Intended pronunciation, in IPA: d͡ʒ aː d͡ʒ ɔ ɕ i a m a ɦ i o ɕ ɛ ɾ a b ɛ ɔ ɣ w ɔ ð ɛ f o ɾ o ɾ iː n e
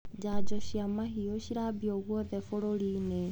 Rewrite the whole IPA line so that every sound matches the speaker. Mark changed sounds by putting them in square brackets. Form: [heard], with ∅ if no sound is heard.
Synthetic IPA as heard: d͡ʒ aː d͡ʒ ɔ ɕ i a m a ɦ i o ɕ [i] ɾ a b [i] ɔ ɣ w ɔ ð ɛ f o ɾ o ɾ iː n e